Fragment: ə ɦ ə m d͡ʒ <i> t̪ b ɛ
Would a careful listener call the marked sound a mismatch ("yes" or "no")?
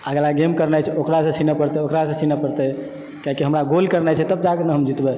no